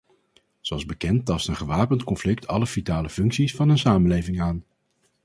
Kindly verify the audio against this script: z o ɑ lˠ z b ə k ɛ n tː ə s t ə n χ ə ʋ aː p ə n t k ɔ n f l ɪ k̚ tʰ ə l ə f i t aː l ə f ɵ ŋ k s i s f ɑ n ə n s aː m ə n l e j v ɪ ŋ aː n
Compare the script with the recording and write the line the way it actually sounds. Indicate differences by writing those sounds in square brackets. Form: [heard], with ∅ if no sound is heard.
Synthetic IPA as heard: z o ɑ lˠ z b ə k ɛ n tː [ɑ] s t ə n χ ə ʋ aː p ə n t k ɔ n f l ɪ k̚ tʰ [ɑ] l ə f i t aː l ə f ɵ ŋ k s i s f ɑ n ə n s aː m ə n l e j v ɪ ŋ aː n

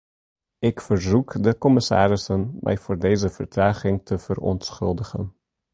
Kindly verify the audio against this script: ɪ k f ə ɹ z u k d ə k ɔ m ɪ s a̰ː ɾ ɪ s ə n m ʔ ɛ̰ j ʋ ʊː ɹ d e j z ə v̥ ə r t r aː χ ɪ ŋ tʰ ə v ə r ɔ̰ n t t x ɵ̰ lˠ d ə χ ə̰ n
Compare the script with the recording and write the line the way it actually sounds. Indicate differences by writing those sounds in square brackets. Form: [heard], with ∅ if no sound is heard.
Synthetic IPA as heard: ɪ k f ə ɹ z u k d ə k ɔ m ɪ s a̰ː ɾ ɪ s ə n m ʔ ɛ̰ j [v] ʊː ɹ d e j z ə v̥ ə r t r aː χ ɪ ŋ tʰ ə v ə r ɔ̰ n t [s] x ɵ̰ lˠ d ə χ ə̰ n

